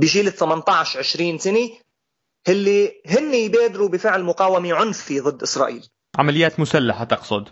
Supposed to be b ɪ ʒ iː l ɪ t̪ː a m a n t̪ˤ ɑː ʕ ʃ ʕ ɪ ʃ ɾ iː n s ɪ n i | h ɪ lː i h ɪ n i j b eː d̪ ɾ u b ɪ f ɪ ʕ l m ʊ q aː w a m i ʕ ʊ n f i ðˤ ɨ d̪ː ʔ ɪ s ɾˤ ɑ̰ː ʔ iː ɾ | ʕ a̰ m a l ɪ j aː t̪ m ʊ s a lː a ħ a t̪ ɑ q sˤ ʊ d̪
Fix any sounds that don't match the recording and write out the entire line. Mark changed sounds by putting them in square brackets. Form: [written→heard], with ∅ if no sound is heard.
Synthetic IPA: b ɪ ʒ iː l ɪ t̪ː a m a n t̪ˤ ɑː ʕ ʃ ʕ ɪ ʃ ɾ iː n s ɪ n i | h ɪ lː i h ɪ [n→nː] i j b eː d̪ ɾ u b ɪ f ɪ ʕ l m ʊ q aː w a m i ʕ ʊ n f i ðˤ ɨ d̪ː ʔ ɪ s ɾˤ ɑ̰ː ʔ iː [ɾ→l] | ʕ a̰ m a l ɪ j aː t̪ m ʊ s a lː a ħ a t̪ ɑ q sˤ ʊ d̪